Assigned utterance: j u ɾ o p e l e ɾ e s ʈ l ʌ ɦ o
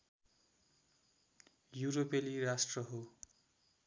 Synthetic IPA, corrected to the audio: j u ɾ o p e l i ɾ a s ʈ r ʌ ɦ o